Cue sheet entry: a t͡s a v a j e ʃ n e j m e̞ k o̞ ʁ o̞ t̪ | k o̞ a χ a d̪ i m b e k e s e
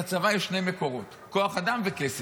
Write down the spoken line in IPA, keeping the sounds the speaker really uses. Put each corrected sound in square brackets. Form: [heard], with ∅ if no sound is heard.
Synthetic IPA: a t͡s a v a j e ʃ n e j m e̞ k o̞ ʁ o̞ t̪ | k o̞ a χ a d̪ [a] m [v] e k e s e